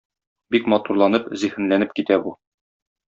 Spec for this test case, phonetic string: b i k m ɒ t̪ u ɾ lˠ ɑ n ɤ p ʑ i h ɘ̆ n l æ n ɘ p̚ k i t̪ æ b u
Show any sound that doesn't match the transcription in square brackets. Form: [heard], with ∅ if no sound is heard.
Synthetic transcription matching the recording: b i k m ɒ t̪ u ɾ lˠ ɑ n ɤ p [z] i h ɘ̆ n l æ n ɘ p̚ k i t̪ æ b u